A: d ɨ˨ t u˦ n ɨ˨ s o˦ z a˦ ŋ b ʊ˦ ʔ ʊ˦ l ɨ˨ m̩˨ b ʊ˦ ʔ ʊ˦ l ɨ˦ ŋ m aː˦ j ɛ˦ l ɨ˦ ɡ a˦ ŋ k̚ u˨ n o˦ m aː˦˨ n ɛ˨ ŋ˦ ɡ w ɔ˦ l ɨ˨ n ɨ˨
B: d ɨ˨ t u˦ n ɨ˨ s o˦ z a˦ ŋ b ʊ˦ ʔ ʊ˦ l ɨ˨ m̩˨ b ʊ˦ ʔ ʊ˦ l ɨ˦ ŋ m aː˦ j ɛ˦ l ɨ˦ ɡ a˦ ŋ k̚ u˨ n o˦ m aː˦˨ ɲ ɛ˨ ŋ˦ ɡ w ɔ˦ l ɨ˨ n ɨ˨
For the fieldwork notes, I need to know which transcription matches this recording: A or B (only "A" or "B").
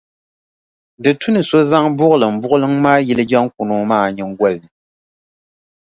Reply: B